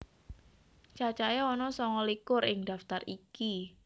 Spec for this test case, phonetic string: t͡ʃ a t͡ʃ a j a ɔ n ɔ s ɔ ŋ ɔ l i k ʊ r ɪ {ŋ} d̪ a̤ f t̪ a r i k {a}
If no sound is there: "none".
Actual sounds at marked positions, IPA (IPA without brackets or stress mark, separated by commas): ŋ, i